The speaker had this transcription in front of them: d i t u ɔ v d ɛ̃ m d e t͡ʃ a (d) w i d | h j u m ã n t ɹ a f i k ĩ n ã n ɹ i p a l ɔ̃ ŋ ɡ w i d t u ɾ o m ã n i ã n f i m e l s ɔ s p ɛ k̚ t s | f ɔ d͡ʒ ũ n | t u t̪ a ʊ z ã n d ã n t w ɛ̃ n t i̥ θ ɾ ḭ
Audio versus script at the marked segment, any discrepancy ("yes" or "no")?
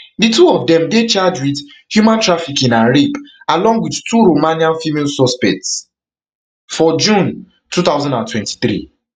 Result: yes